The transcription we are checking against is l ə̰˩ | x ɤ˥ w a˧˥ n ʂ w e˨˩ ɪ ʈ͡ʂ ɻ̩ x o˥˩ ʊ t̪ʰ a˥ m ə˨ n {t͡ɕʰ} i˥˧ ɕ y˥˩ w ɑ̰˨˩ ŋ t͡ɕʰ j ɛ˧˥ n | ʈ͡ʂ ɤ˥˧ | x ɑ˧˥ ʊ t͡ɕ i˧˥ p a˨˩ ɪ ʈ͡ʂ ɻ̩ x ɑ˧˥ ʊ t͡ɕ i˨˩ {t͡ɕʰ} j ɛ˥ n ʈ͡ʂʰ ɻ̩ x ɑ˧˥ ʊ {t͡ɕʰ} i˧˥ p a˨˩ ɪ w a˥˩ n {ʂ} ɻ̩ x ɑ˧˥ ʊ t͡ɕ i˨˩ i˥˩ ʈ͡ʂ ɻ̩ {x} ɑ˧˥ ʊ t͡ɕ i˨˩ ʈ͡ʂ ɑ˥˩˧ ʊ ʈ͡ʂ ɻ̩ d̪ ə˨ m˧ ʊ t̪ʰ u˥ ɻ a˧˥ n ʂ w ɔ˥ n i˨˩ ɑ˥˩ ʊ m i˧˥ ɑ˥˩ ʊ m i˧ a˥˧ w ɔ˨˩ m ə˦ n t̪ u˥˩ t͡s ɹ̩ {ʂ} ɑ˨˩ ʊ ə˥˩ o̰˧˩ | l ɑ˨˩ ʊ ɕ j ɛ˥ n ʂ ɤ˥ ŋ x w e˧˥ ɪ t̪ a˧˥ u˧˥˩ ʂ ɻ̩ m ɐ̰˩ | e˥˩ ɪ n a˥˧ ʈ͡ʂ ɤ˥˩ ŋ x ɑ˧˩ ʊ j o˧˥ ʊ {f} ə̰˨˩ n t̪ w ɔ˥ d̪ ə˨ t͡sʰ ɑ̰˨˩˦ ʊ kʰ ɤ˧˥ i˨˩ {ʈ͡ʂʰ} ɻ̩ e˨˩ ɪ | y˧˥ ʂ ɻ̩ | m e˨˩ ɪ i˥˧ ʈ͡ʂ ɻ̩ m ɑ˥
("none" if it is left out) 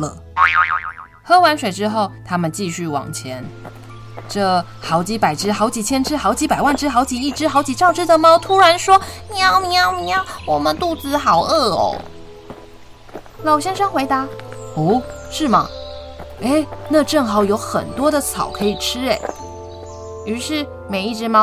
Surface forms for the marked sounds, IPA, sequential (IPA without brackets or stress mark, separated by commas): t͡ɕ, t͡ɕʰ, t͡ɕ, ʈ͡ʂ, x, x, x, ʈ͡ʂʰ